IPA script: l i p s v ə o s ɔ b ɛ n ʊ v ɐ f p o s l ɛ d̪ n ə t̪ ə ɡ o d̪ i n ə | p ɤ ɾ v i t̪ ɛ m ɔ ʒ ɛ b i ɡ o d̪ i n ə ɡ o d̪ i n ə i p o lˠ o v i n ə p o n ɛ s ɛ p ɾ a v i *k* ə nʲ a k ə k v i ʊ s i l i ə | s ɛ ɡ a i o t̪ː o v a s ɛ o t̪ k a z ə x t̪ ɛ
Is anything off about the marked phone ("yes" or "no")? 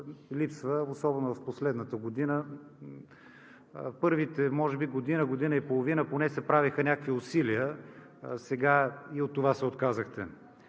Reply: yes